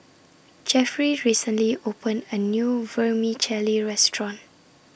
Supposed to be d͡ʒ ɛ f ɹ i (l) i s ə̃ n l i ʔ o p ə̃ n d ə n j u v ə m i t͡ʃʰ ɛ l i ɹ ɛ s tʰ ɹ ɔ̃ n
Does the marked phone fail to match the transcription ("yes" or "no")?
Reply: yes